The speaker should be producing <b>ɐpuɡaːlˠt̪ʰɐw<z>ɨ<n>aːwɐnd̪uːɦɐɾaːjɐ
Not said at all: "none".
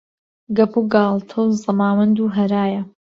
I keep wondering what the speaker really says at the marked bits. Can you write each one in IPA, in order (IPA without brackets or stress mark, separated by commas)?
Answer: ɡ, z, m